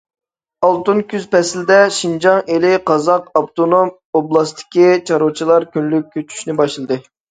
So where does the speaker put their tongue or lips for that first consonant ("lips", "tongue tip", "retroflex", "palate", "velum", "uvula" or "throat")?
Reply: tongue tip